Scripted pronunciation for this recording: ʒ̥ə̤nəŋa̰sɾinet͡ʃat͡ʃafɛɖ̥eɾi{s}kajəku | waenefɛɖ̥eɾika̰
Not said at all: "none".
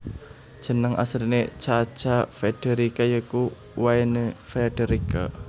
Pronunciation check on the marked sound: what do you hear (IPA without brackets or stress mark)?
none